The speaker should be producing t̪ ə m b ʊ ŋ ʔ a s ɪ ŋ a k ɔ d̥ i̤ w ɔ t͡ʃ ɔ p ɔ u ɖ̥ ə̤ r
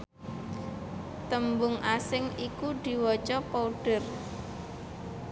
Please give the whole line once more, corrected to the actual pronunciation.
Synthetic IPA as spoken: t̪ ə m b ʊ ŋ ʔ a s ɪ ŋ i k u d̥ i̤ w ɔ t͡ʃ ɔ p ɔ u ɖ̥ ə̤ r